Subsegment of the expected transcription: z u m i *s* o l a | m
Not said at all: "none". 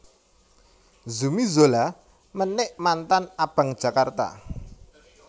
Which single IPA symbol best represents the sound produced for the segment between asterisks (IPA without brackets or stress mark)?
z